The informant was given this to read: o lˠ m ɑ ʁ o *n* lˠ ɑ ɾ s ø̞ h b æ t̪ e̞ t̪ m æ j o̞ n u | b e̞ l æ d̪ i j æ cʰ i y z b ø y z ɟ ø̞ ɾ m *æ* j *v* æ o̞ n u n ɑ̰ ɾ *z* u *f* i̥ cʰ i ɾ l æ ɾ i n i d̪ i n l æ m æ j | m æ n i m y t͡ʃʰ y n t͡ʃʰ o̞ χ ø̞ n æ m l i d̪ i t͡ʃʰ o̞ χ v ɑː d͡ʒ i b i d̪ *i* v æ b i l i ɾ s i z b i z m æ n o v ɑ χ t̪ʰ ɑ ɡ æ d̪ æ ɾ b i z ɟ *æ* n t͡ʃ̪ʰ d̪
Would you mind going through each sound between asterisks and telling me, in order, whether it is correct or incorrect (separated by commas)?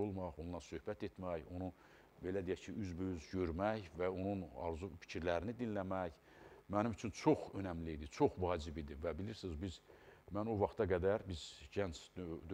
correct, correct, correct, correct, correct, correct, correct